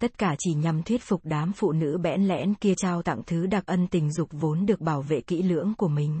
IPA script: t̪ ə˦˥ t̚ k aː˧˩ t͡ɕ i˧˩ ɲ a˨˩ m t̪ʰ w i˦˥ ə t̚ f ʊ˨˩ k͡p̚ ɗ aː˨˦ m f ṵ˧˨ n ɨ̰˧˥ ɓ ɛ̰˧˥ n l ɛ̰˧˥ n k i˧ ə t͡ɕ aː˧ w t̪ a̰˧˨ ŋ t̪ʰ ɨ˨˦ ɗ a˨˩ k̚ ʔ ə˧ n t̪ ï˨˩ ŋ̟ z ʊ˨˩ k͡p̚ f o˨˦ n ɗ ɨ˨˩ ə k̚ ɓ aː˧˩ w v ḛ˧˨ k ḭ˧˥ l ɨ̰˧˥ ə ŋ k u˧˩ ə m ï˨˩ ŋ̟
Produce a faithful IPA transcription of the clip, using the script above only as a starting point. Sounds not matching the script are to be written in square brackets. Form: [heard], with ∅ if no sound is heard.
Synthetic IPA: t̪ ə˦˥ t̚ k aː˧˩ t͡ɕ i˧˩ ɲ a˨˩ m t̪ʰ w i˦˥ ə t̚ f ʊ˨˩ k͡p̚ ɗ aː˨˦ m f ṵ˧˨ n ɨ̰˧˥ ɓ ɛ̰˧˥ n l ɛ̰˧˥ n k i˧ ə t͡ɕ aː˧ w t̪ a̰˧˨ ŋ t̪ʰ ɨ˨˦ ɗ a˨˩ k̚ ʔ ə˧ n t̪ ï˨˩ ŋ̟ z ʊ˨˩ k͡p̚ [v] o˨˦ n ɗ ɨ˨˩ ə k̚ ɓ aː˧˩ w v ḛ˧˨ k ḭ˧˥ l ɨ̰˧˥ ə ŋ k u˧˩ ə m ï˨˩ ŋ̟